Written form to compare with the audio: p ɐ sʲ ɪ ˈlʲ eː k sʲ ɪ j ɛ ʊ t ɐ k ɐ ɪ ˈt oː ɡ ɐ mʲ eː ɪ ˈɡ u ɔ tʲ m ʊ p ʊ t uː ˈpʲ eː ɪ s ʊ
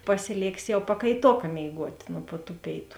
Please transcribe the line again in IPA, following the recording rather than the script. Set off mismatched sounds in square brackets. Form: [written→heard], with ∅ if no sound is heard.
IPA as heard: p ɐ sʲ ɪ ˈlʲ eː k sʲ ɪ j ɛ ʊ [t→p] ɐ k ɐ ɪ ˈt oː [ɡ→k] ɐ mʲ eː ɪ ˈɡ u ɔ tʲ [m→n] ʊ p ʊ t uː ˈpʲ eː ɪ [s→t] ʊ